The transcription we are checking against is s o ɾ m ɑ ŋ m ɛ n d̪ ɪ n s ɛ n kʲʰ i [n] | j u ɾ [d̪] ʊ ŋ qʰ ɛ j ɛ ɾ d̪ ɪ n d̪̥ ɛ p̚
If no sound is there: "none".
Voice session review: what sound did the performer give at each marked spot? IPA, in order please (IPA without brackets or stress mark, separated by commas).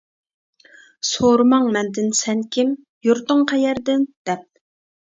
m, t̪